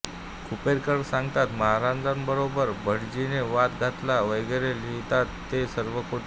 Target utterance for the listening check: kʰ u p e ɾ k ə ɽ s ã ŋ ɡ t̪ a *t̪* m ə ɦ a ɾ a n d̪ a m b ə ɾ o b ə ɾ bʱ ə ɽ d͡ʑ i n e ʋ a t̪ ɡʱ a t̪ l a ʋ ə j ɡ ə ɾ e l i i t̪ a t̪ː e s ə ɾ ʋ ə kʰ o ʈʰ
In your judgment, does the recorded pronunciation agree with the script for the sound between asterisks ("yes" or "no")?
yes